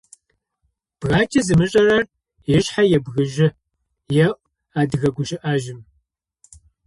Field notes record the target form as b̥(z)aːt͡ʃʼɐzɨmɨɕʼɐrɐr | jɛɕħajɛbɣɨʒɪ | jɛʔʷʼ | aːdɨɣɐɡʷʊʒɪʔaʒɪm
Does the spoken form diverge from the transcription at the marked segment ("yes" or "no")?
yes